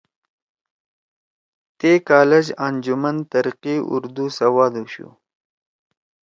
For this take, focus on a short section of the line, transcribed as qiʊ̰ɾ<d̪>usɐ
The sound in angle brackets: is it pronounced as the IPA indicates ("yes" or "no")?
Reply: yes